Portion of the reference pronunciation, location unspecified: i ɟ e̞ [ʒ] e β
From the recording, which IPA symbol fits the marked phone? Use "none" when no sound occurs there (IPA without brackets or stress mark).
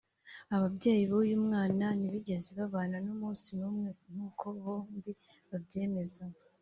z